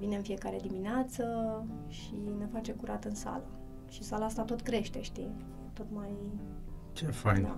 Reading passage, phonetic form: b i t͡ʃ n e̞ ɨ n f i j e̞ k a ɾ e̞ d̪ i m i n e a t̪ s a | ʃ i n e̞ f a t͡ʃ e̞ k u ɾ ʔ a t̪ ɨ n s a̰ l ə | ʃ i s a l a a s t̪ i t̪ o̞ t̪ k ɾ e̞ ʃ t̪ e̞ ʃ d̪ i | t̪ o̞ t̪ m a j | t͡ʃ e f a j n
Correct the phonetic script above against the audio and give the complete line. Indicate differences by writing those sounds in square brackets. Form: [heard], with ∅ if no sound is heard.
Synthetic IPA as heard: [v] i [∅] n e̞ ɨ n f i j e̞ k a ɾ e̞ d̪ i m i n e a t̪ s [ə] | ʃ i n e̞ f a t͡ʃ e̞ k u ɾ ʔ a t̪ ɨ n s a̰ l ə | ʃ i s a l a a s t̪ [a] t̪ o̞ t̪ k ɾ e̞ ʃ t̪ e̞ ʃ [t̪] i | t̪ o̞ t̪ m a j | t͡ʃ e f a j n